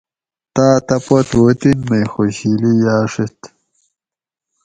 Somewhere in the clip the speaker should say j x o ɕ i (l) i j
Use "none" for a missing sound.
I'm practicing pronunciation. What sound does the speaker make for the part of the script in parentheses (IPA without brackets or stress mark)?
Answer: l